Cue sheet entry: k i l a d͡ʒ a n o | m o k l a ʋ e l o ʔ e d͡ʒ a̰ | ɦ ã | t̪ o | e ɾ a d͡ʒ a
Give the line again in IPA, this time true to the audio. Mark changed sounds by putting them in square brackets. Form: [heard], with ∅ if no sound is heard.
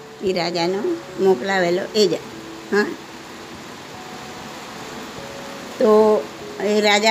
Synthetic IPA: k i [ɾ] a d͡ʒ a n o | m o k l a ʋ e l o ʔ e d͡ʒ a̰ | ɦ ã | t̪ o | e ɾ a d͡ʒ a